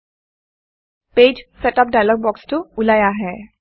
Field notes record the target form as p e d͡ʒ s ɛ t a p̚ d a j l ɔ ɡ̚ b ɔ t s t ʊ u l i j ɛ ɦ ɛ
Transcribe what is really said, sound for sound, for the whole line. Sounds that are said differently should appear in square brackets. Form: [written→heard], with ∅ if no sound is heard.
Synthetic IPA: p e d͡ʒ s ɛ t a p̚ d a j l ɔ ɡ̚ b ɔ [t→k] s t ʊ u l [i→a] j [ɛ→a] ɦ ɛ

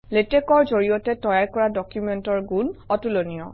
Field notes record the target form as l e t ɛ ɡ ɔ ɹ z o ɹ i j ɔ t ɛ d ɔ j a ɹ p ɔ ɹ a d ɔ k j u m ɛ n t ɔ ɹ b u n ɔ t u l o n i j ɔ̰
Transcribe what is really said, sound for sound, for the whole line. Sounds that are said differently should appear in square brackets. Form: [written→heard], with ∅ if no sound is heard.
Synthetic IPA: l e t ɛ [ɡ→k] ɔ ɹ z o ɹ i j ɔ t ɛ [d→t] ɔ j a ɹ [p→k] ɔ ɹ a d ɔ k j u m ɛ n t ɔ ɹ [b→ɡ] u n ɔ t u l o n i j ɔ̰

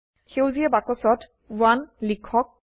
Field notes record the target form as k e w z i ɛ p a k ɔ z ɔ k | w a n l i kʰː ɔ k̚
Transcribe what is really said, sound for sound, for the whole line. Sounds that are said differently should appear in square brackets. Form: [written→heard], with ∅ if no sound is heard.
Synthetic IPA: [k→x] e w z i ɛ [p→b] a k ɔ [z→s] ɔ [k→t] | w a n l i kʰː ɔ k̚

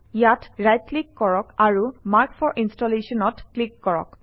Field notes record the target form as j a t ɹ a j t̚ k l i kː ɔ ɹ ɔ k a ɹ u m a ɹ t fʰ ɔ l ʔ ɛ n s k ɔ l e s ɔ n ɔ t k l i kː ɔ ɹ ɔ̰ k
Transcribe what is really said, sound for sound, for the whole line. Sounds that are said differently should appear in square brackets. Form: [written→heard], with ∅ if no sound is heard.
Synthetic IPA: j a t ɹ a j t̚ k l i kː ɔ ɹ ɔ k a ɹ u m a ɹ [t→k] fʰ ɔ [l→ɹ] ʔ [ɛ→i] n s [k→t] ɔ l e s ɔ n ɔ t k l i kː ɔ ɹ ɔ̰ k

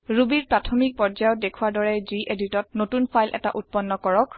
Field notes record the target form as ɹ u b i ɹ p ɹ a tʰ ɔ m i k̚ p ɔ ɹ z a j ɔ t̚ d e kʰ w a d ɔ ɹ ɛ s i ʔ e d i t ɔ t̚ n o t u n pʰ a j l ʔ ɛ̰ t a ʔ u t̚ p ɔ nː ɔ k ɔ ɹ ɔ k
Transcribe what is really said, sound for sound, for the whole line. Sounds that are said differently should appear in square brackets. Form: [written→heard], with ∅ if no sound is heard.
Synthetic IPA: ɹ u b i ɹ p ɹ a tʰ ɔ m i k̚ p ɔ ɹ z a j ɔ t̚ d e kʰ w a d ɔ ɹ ɛ [s→z] i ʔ e d i t ɔ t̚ n o t u n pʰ a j l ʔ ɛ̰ t a ʔ u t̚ p ɔ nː ɔ k ɔ ɹ ɔ k

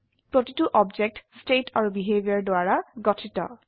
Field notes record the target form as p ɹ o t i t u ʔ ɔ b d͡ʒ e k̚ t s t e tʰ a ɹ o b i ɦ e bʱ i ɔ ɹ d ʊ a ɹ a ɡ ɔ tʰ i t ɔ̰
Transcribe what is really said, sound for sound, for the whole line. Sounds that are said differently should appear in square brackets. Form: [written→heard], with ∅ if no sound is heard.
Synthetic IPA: p ɹ o t i t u ʔ ɔ b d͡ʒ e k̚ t s t e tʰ a ɹ [o→u] b i ɦ e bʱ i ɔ ɹ d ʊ a ɹ a ɡ ɔ tʰ i t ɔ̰

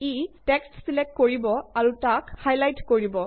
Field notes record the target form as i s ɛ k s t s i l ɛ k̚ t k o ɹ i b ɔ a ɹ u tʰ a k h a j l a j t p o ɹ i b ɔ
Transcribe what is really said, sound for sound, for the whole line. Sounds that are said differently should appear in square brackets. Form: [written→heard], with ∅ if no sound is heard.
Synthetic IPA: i [s→t] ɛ k s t s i l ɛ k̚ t k o ɹ i b ɔ a ɹ u [tʰ→t] a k h a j l a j t [p→k] o ɹ i b ɔ

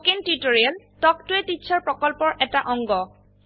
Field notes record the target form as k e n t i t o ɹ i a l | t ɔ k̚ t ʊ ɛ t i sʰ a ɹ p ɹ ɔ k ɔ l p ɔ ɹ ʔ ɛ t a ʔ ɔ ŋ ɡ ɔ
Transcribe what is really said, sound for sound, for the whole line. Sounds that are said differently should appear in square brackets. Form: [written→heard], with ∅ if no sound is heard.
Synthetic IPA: k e n t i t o ɹ i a l | t ɔ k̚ t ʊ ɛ t i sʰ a ɹ p ɹ ɔ k ɔ l p ɔ ɹ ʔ ɛ t a ʔ ɔ ŋ ɡ ɔ

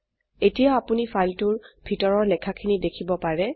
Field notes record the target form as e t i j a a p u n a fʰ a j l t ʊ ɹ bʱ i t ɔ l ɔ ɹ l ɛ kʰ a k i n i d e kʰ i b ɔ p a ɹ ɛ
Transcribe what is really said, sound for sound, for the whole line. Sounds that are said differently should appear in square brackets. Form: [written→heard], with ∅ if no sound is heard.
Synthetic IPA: e t i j a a p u n [a→i] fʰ a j l t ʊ ɹ bʱ i t ɔ [l→ɹ] ɔ ɹ l ɛ kʰ a [k→kʰ] i n i d e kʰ i b ɔ p a ɹ ɛ

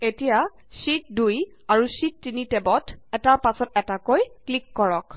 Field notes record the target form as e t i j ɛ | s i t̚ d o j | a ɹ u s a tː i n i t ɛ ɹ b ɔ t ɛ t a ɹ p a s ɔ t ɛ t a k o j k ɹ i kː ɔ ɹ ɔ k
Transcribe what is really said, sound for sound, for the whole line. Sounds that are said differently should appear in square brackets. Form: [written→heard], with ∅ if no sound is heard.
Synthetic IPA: e t i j [ɛ→a] | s i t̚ d [o→u] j | a ɹ u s [a→i] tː i n i t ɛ [ɹ→∅] b ɔ t ɛ t a ɹ p a s ɔ t ɛ t a k o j k [ɹ→l] i kː ɔ ɹ ɔ k

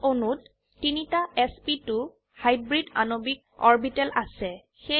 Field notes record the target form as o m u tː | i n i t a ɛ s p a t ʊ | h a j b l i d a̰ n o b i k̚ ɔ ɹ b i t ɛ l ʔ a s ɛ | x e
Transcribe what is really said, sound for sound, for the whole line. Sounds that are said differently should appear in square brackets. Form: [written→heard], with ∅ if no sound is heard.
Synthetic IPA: o [m→n] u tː | i n i t a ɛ s p [a→i] t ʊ | h a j b [l→ɹ] i d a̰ n o b i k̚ ɔ ɹ b i t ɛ l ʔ a s ɛ | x e

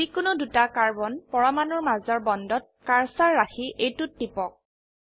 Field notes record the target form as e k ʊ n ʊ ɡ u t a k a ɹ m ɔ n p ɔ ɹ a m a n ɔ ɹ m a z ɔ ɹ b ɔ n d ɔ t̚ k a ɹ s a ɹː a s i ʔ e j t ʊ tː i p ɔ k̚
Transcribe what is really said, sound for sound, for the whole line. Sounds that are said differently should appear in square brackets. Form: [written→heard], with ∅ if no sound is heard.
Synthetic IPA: [e→i] k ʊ n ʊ [ɡ→d] u t a k a ɹ [m→b] ɔ n p ɔ ɹ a m a n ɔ ɹ m a z ɔ ɹ b ɔ n d ɔ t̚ k a ɹ s a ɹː a [s→x] i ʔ e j t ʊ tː i p ɔ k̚

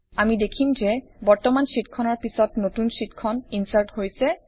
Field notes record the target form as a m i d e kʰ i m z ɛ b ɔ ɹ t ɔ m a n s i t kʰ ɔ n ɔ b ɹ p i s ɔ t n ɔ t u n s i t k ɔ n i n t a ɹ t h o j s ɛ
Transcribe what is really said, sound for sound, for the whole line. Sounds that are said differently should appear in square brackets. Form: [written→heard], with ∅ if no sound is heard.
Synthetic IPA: a m i d e kʰ i m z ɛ b ɔ ɹ t ɔ m a n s i t kʰ ɔ n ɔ [b→∅] ɹ p i s ɔ t n [ɔ→o] t u n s i t [k→kʰ] ɔ n i n [t→s] a ɹ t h o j s ɛ

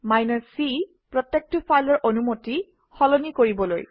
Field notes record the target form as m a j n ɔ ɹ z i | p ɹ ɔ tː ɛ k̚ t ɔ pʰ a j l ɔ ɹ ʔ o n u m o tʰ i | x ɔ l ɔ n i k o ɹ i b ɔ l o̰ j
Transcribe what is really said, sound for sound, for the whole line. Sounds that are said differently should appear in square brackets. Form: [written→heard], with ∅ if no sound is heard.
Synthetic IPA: m a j n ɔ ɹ [z→s] i | p ɹ ɔ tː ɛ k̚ t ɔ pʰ a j l ɔ ɹ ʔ o n u m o [tʰ→t] i | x ɔ l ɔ n i k o ɹ i b ɔ l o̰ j

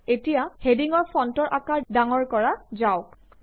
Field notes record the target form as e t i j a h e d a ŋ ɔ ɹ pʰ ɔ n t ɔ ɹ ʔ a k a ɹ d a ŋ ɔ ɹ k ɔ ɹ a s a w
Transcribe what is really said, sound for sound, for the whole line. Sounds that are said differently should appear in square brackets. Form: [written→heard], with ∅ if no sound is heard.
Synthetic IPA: e t i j a h e d [a→i] ŋ ɔ ɹ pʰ ɔ n t ɔ ɹ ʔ a k a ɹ d a ŋ ɔ ɹ k ɔ ɹ a [s→z] a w

